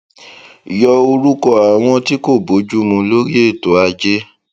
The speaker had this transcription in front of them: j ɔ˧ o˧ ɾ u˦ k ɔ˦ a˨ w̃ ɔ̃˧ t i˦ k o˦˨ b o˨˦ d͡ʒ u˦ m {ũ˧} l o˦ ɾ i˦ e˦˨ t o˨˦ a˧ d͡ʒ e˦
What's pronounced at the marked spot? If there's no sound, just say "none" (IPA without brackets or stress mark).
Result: ũ˧